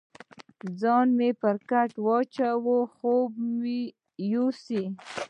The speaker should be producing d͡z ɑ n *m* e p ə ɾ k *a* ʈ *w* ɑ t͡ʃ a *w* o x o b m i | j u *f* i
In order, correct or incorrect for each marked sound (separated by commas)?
correct, correct, correct, correct, incorrect